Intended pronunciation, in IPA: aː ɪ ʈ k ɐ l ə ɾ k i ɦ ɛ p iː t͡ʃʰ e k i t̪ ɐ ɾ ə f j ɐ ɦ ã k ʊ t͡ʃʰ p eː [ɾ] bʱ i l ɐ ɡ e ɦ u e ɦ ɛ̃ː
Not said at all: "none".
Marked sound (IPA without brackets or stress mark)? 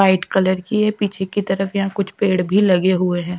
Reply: ɽ